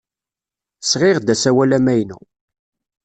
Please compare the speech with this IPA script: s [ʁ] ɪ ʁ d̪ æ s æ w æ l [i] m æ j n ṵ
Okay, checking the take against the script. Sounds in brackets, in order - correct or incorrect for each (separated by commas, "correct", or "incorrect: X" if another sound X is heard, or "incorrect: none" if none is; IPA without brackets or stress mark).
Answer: correct, incorrect: æ